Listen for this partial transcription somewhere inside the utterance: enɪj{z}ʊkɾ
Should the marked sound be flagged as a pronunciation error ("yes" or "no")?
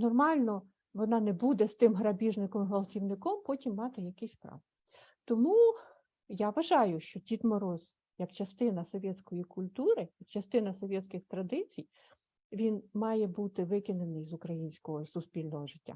no